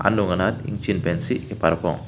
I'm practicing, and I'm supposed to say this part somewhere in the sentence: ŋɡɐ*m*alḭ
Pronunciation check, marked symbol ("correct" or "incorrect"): incorrect